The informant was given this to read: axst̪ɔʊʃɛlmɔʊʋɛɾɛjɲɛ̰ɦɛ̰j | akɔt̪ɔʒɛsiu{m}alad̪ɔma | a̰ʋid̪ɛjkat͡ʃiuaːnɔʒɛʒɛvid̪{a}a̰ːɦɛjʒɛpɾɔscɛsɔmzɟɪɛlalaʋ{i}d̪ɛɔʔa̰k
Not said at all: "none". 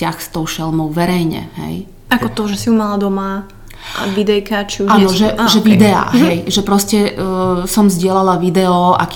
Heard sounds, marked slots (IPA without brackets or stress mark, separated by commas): m, ɛ, i